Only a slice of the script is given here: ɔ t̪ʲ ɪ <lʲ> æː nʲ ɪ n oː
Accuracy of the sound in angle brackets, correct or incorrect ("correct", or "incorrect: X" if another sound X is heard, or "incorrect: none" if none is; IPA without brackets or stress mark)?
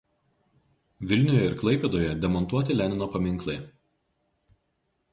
correct